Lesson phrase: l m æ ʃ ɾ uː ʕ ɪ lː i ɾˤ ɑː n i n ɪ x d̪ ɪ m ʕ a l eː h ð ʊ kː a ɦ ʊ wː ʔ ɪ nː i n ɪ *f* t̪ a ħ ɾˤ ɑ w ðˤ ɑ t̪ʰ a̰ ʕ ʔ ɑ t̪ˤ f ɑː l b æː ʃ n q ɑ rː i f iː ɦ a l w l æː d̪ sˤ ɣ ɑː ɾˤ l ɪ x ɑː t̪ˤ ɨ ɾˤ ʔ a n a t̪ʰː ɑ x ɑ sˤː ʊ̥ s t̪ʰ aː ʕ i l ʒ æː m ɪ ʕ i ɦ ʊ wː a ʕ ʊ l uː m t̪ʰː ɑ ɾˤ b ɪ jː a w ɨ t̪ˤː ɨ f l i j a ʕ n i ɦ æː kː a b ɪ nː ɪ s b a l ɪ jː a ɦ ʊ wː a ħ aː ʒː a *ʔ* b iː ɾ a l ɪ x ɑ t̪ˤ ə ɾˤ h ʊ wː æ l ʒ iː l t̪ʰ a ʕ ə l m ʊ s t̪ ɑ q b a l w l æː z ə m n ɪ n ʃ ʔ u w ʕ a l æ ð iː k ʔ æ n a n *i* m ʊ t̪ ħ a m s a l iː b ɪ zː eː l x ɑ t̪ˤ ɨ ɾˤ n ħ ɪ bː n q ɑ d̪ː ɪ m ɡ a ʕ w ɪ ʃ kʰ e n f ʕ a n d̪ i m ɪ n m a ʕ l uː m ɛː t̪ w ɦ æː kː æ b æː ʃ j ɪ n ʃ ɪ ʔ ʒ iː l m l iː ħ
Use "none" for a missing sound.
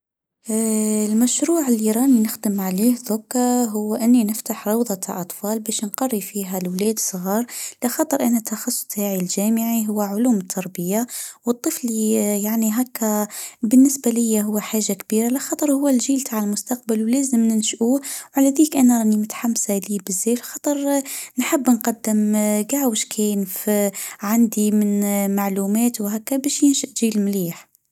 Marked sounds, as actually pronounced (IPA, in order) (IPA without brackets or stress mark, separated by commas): f, k, i